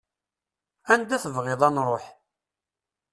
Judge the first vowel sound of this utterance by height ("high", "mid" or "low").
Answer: low